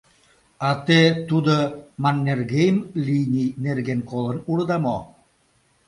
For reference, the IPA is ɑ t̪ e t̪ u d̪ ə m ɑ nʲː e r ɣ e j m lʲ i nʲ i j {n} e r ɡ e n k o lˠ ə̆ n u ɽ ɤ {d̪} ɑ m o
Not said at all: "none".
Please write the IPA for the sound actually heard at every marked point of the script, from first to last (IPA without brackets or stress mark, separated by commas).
n, d̪